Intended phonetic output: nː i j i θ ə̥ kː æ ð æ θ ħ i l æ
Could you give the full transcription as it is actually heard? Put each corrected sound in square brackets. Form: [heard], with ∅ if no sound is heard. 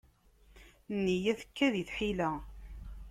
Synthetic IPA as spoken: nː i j [æ] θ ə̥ kː æ ð [i] θ ħ i l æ